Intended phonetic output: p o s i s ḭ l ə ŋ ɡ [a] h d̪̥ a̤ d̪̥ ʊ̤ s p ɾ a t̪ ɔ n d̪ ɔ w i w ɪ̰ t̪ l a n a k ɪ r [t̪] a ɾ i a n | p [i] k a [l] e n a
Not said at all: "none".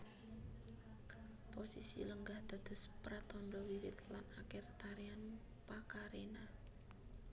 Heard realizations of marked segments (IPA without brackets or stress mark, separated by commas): a, t̪, a, ɾ